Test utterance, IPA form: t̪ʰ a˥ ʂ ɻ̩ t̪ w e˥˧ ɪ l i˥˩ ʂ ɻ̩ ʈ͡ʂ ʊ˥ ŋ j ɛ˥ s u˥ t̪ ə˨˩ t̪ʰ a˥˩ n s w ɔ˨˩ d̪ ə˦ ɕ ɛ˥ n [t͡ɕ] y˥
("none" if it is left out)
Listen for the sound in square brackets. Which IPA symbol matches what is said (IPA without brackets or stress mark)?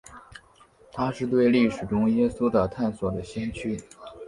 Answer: t͡ɕʰ